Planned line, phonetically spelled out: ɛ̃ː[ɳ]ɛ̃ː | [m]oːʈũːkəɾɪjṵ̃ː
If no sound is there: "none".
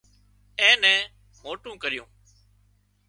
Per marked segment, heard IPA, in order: n, m

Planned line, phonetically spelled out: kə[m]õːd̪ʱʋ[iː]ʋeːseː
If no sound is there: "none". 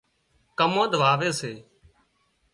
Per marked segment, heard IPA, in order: m, aː

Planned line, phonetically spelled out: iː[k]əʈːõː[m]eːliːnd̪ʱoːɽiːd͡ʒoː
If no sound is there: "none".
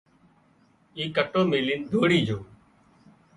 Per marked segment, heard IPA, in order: k, m

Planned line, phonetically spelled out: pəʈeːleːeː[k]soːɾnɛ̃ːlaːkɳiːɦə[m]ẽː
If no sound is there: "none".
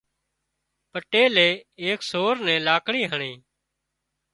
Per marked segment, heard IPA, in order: k, ɳ

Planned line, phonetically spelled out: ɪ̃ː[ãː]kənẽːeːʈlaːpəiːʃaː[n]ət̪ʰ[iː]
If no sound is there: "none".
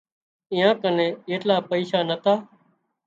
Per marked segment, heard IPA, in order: ãː, n, aː

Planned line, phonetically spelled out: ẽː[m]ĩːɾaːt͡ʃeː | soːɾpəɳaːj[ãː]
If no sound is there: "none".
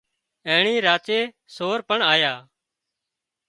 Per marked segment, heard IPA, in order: ɳ, aː

